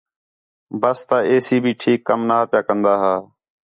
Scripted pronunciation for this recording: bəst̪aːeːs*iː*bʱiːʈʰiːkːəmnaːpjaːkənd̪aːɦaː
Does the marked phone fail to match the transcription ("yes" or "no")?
no